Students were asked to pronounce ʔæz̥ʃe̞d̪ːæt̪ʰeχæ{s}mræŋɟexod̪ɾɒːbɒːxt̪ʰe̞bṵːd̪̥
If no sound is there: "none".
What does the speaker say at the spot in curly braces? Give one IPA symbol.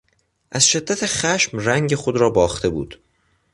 ʃ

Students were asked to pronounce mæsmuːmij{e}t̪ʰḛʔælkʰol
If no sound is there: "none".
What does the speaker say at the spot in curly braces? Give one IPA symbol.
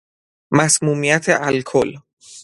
æ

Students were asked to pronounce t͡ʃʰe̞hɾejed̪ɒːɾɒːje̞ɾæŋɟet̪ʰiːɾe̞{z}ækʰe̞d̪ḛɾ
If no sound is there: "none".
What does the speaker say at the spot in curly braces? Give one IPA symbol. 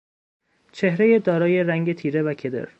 v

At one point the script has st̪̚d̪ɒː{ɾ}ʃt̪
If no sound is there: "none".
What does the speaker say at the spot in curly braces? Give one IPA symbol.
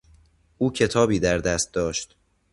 none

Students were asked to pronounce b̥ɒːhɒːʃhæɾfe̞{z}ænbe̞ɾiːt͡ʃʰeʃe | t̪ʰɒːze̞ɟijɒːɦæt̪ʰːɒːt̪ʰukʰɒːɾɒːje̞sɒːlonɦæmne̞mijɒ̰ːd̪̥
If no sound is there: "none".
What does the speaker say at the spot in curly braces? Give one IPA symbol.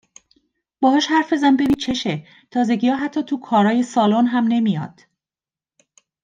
z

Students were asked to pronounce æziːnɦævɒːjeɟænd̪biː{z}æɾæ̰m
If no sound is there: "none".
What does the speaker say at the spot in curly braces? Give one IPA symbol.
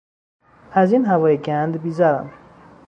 z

